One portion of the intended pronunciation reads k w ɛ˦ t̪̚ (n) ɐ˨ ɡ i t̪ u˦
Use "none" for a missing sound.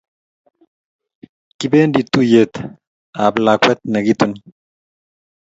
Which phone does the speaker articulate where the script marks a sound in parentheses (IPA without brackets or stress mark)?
n